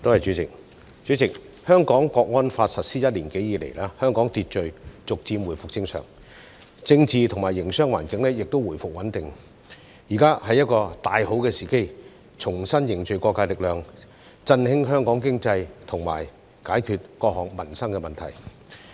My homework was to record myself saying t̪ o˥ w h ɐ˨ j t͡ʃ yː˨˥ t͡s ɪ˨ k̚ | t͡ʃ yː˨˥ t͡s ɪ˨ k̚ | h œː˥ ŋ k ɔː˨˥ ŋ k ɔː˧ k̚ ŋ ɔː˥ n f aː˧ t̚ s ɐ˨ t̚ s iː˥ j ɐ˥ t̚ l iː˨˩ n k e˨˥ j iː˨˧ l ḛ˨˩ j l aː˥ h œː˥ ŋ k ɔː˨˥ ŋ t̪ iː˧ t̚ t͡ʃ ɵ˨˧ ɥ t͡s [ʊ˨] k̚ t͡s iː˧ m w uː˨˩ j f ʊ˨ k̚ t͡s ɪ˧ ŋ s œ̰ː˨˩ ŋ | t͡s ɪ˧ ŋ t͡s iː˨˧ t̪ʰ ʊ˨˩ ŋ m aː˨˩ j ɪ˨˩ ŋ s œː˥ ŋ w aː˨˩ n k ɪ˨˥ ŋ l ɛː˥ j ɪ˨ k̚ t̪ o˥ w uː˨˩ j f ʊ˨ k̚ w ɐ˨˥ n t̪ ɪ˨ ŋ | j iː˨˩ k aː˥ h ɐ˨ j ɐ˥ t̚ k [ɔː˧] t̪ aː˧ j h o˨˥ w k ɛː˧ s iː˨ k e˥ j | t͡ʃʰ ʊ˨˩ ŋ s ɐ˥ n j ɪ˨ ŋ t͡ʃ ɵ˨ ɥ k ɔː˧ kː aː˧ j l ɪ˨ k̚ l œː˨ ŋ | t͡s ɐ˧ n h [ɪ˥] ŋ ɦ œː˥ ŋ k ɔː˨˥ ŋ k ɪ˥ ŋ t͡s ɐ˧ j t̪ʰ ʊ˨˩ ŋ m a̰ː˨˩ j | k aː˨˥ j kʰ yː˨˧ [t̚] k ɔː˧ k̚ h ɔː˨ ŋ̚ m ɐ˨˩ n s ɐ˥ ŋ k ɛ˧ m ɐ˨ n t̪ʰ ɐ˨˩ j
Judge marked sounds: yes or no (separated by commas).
yes, yes, yes, yes